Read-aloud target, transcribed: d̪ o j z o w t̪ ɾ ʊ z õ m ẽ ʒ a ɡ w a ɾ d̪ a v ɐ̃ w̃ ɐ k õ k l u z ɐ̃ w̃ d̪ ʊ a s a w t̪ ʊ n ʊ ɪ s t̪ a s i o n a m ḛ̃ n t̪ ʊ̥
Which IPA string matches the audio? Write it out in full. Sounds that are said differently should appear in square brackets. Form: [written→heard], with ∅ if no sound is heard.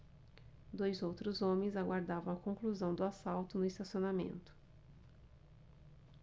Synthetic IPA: d̪ o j z o w t̪ ɾ ʊ z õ m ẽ [ʒ→z] a ɡ w a ɾ d̪ a v ɐ̃ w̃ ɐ k õ k l u z ɐ̃ w̃ d̪ ʊ a s a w t̪ ʊ n ʊ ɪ s t̪ a s i o n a m ḛ̃ n t̪ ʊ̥